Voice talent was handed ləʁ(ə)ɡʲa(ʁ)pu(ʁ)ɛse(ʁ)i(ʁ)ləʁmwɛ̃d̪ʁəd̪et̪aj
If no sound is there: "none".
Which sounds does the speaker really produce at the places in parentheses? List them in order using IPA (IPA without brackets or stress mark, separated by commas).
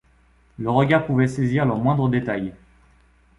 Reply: ə, ʁ, v, z, ʁ